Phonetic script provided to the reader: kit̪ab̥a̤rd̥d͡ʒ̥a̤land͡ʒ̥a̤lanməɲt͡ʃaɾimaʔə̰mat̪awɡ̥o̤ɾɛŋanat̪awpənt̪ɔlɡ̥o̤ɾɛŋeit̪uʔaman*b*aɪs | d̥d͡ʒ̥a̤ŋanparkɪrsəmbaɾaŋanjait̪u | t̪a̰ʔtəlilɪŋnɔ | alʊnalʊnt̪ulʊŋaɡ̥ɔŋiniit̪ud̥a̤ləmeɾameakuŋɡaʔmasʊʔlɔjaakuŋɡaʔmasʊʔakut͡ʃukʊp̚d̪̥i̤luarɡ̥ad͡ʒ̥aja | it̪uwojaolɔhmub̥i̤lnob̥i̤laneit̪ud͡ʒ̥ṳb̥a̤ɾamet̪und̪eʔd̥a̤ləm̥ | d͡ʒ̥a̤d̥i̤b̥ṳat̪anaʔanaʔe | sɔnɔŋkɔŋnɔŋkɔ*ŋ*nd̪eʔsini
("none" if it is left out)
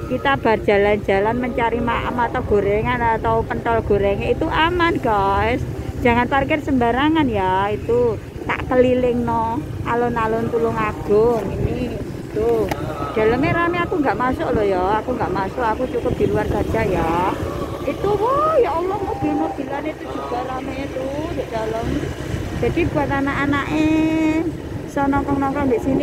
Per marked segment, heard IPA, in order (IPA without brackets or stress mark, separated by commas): ɡ, ŋ